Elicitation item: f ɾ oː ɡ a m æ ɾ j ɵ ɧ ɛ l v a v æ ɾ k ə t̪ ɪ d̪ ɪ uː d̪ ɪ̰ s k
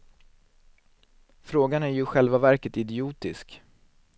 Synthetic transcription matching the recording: f ɾ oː ɡ a n æ ɾ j ɵ ɧ ɛ l v a v æ ɾ k ə t̪ ɪ d̪ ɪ uː t̪ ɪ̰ s k